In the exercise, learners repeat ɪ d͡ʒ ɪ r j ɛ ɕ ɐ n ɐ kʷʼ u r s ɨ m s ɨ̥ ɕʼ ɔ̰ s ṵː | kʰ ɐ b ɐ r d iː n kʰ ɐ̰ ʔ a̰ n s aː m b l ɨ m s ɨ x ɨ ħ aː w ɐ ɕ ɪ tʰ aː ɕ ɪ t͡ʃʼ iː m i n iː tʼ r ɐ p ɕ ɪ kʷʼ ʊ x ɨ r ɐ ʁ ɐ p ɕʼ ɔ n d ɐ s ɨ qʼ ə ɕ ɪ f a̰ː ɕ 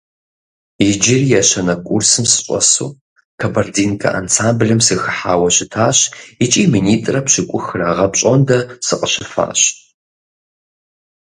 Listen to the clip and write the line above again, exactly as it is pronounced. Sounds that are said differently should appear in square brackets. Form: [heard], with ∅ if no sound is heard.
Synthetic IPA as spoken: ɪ d͡ʒ ɪ r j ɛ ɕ ɐ n ɐ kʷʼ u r s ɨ m s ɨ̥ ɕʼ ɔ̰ s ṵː | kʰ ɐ b ɐ r d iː n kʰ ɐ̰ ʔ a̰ n s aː m b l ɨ m s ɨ x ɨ ħ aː w ɐ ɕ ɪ tʰ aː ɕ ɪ t͡ʃʼ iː m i n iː tʼ r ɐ p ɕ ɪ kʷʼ ʊ x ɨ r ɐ ʁ ɐ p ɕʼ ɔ n d ɐ s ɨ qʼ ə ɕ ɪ f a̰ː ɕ